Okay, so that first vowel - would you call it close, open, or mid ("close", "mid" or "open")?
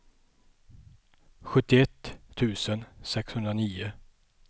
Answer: mid